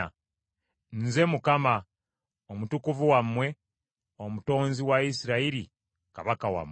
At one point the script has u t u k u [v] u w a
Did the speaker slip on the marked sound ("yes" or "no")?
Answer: no